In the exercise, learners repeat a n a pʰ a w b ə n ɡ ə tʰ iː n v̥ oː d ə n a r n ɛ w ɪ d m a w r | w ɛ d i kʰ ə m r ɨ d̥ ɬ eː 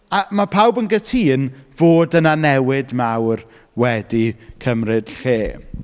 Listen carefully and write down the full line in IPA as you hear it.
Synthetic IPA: a m a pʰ a w b ə n ɡ ə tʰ iː n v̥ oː d ə n a n ɛ w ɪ d m a w r | w ɛ d i kʰ ə m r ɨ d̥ ɬ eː